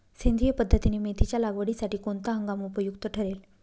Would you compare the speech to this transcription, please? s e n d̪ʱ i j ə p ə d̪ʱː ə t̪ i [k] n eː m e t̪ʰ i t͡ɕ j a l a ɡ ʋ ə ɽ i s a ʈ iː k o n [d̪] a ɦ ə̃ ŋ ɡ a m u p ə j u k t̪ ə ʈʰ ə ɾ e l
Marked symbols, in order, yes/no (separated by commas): no, no